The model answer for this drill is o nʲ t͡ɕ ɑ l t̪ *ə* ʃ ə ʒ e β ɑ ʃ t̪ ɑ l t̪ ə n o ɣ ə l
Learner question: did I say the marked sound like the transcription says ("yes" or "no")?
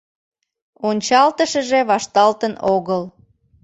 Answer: yes